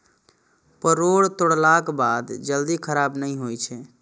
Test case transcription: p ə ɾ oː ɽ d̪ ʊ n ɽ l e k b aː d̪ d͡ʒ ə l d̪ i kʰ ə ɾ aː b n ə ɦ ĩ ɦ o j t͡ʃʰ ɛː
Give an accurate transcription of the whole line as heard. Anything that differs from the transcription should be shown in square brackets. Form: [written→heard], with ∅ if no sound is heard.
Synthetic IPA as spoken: p ə ɾ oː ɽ [d̪→t̪] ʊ [n→∅] ɽ l [e→a] k b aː d̪ d͡ʒ ə l d̪ i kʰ ə ɾ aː b n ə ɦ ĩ ɦ o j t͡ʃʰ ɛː